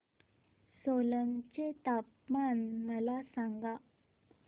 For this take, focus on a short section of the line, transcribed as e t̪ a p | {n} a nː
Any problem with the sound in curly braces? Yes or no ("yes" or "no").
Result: yes